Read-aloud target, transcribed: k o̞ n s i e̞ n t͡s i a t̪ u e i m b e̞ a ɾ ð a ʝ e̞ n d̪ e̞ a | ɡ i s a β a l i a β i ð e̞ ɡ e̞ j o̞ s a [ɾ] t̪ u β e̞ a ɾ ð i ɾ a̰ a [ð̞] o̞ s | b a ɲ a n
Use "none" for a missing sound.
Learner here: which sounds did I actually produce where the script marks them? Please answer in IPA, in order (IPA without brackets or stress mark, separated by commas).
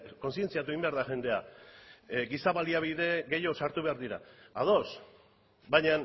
ɾ, ð̞